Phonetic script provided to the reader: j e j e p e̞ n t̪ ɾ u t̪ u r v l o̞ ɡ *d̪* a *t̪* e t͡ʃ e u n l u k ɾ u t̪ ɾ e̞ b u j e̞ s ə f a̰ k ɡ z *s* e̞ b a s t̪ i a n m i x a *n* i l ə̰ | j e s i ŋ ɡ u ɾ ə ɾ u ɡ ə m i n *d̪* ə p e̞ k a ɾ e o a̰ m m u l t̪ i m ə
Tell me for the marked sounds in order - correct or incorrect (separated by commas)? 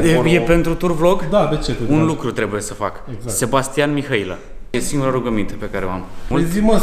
correct, incorrect, correct, incorrect, incorrect